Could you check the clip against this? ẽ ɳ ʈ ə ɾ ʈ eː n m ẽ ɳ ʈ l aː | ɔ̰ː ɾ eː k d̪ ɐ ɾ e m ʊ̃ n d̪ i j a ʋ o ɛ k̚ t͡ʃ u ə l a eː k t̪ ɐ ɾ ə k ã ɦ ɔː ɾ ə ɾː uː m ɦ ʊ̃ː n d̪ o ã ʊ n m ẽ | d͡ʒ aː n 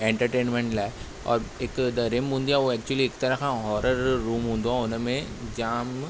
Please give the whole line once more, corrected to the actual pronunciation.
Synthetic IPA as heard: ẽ ɳ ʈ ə ɾ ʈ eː n m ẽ ɳ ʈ l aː | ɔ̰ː ɾ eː k d̪ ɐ ɾ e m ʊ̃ n d̪ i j a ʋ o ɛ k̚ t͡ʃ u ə l i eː k t̪ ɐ ɾ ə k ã ɦ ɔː ɾ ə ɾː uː m ɦ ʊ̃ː n d̪ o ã ʊ n m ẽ | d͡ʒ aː m